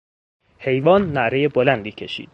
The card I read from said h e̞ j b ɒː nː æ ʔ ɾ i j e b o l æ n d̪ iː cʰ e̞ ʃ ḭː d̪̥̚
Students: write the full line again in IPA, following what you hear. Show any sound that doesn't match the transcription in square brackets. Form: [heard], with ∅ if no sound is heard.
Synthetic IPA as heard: h e̞ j [v] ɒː nː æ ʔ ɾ [e] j e b o l æ n d̪ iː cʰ e̞ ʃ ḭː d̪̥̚

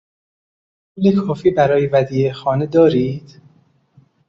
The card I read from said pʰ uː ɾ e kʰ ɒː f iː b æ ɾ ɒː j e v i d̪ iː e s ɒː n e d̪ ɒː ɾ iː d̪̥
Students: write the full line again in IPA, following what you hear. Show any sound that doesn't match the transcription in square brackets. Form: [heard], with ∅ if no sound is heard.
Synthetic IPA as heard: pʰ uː [l] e kʰ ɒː f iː b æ ɾ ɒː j e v [æ] d̪ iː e [x] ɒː n e d̪ ɒː ɾ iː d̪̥

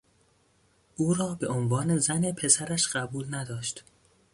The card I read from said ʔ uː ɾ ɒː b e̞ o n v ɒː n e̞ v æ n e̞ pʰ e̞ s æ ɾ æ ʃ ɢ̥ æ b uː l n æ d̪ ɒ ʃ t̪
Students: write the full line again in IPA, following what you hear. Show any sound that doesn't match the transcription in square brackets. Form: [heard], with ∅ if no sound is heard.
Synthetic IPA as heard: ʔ uː ɾ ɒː b e̞ o n v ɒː n e̞ [z] æ n e̞ pʰ e̞ s æ ɾ æ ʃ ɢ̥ æ b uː l n æ d̪ [ɒː] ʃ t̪

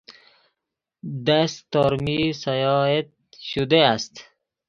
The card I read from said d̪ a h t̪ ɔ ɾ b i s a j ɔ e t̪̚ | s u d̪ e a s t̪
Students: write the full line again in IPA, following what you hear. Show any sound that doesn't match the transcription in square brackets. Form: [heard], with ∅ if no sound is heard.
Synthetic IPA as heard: d̪ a [s] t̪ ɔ ɾ [m] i s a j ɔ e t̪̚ | [ʃ] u d̪ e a s t̪

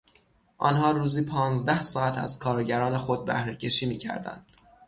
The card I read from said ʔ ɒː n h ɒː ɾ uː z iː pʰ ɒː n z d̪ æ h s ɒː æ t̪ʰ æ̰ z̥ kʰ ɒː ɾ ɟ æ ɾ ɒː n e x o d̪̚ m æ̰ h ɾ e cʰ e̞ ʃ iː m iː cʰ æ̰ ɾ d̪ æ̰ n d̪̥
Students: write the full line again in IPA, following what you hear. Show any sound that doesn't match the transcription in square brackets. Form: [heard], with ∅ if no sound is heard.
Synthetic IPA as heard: ʔ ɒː n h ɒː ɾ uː z iː pʰ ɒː n z d̪ æ h s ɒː æ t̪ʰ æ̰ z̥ kʰ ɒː ɾ ɟ æ ɾ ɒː n e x o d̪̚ [b] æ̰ h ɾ e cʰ e̞ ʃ iː m iː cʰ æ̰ ɾ d̪ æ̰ n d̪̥

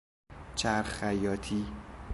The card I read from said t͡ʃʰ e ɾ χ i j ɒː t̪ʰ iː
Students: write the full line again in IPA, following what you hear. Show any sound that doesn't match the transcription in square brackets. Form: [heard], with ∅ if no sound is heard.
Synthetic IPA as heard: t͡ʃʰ [æ] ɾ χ [æ] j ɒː t̪ʰ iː

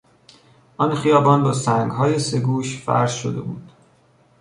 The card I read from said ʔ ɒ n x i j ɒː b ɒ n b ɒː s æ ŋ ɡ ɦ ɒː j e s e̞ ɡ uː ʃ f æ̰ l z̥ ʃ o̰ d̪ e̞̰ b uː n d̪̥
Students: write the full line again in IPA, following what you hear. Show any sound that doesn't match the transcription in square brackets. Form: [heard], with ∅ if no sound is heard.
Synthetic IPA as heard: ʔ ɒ n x i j ɒː b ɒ n b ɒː s æ ŋ ɡ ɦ ɒː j e s e̞ ɡ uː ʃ f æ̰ [ɾ] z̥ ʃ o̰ d̪ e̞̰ b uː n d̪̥

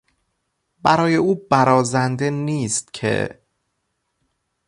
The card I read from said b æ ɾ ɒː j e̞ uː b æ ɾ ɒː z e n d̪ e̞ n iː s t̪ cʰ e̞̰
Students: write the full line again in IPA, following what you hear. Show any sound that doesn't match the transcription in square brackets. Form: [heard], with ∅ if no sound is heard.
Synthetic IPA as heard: b æ ɾ ɒː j e̞ uː b æ ɾ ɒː z [æ] n d̪ e̞ n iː s t̪ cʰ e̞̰

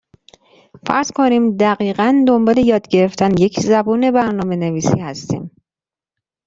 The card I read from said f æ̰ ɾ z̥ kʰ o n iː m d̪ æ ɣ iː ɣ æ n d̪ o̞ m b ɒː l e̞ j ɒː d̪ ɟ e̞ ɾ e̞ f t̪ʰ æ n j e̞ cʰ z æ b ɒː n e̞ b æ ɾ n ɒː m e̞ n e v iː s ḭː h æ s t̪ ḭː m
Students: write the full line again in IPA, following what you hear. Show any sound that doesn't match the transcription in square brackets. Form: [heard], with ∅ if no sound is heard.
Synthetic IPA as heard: f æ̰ ɾ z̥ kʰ o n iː m d̪ æ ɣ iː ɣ æ n d̪ o̞ m b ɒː l e̞ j ɒː d̪ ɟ e̞ ɾ e̞ f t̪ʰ æ n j e̞ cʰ z æ b [uː] n e̞ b æ ɾ n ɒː m e̞ n e v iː s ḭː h æ s t̪ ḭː m

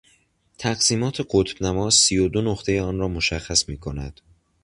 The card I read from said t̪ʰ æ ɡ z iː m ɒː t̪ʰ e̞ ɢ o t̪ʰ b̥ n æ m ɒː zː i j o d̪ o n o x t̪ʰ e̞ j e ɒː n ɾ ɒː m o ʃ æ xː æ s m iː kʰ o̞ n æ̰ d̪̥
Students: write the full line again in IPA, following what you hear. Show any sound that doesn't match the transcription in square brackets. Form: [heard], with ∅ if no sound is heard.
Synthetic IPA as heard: t̪ʰ æ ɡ [s] iː m ɒː t̪ʰ e̞ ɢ o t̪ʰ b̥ n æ m ɒː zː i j o d̪ o n o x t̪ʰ e̞ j e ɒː n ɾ ɒː m o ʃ æ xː æ s m iː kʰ o̞ n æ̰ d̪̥

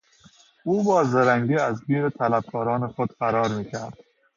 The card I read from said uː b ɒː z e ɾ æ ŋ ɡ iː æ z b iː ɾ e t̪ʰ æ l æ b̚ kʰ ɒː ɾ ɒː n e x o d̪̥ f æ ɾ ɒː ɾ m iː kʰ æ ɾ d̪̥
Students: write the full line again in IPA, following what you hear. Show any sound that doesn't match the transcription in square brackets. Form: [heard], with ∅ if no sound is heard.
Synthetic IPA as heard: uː b ɒː z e ɾ æ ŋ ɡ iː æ z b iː ɾ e t̪ʰ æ l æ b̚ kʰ ɒː ɾ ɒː n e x o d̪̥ f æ ɾ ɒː ɾ m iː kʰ æ ɾ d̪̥

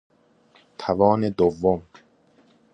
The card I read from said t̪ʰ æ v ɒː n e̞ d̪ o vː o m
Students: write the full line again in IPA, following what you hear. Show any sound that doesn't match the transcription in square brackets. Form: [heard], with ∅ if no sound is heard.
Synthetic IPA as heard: t̪ʰ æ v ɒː n e̞ d̪ o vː o m

